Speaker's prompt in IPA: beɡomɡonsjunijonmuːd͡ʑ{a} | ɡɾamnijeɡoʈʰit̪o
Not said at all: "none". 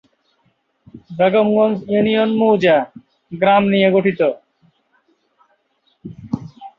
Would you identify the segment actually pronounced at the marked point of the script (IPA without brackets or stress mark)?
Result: a